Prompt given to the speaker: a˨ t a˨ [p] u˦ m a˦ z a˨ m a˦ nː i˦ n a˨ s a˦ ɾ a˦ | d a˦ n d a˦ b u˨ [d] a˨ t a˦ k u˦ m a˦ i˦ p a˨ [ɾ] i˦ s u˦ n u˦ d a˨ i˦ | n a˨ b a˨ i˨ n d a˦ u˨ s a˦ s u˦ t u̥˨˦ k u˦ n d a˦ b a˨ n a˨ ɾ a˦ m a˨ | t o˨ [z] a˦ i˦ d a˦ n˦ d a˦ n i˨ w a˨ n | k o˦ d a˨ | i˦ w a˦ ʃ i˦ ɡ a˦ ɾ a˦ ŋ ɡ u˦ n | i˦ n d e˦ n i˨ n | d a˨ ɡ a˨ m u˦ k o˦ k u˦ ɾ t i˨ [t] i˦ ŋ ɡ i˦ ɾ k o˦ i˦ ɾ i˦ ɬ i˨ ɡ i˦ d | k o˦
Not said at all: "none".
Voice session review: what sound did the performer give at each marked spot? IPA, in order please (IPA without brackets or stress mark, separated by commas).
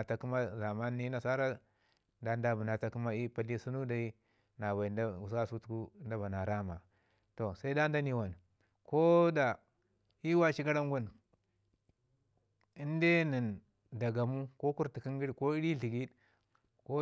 k, n, l, s, k